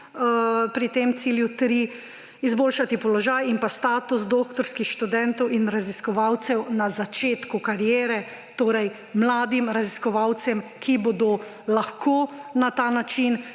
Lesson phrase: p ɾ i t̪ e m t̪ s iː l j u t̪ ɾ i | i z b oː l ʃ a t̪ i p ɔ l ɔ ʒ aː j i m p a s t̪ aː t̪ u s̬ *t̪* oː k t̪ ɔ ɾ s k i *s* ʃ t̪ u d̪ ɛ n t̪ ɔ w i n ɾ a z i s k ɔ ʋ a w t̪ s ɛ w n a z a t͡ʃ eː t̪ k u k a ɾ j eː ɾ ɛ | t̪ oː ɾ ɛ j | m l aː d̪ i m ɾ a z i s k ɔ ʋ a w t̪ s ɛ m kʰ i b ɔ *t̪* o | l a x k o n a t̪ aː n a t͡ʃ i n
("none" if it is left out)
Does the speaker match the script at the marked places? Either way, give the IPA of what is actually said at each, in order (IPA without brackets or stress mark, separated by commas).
d̪, x, d̪